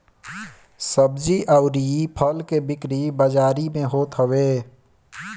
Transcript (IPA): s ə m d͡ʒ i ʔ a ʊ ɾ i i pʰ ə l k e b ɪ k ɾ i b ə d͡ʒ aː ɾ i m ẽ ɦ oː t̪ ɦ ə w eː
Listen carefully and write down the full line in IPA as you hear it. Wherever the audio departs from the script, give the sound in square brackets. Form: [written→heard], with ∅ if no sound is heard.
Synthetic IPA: s ə [m→b] d͡ʒ i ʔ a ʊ ɾ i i pʰ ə l k e b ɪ k ɾ i b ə d͡ʒ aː ɾ i m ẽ ɦ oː t̪ ɦ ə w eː